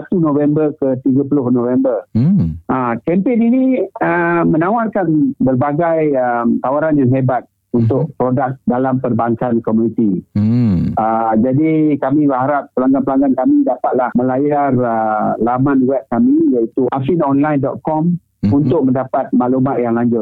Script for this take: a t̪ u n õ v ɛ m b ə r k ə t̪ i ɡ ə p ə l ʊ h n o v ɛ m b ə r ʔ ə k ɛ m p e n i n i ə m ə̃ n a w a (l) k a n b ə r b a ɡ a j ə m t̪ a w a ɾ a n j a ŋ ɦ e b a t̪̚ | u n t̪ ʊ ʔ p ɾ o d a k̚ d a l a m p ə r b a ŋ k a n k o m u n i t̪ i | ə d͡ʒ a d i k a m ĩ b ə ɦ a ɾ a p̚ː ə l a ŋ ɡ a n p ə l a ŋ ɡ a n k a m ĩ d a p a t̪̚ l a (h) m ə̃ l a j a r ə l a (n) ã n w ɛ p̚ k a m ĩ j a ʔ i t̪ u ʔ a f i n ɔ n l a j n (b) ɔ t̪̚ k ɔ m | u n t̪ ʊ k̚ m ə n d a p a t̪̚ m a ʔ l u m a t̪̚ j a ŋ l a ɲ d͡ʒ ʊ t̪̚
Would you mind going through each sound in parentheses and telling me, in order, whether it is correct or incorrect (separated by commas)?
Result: incorrect, correct, incorrect, incorrect